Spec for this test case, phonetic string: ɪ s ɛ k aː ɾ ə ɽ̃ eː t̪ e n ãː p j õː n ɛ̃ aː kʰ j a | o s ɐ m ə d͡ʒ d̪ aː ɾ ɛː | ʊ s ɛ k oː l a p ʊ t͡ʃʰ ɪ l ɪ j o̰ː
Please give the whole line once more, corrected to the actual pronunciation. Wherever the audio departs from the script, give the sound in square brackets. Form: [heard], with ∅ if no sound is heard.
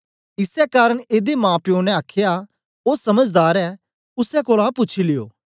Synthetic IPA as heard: ɪ s ɛ k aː ɾ ə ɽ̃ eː [d̪] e [m] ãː p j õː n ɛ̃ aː kʰ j a | o s ɐ m ə d͡ʒ d̪ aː ɾ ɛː | ʊ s ɛ k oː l a p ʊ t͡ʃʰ [i] l ɪ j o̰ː

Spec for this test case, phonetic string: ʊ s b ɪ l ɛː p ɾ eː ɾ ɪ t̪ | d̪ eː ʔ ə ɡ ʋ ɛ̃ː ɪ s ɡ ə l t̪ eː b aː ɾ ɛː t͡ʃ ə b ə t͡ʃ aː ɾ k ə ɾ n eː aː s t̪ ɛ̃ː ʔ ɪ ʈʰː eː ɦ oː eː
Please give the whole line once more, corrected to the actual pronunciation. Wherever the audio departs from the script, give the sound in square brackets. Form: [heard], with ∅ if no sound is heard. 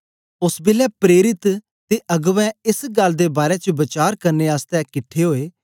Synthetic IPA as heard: ʊ s b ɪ l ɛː p ɾ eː ɾ ɪ t̪ | [t̪] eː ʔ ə ɡ ʋ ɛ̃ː ɪ s ɡ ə l [d̪] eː b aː ɾ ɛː t͡ʃ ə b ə t͡ʃ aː ɾ k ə ɾ n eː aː s t̪ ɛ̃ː [k] ɪ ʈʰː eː ɦ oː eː

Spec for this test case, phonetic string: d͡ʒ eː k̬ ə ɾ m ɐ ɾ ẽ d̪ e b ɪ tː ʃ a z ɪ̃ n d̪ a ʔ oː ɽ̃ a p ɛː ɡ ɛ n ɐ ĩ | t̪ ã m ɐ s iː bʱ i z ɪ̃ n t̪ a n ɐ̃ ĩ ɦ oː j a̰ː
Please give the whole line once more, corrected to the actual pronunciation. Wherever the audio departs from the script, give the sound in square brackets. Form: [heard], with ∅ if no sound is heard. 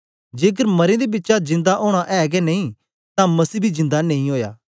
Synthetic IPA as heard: d͡ʒ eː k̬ ə ɾ m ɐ ɾ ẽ d̪ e b ɪ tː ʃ a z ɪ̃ n d̪ a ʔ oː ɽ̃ a [ʔ] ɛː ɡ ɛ n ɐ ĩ | t̪ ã m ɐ s iː bʱ i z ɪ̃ n [d̪] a n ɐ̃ ĩ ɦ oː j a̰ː

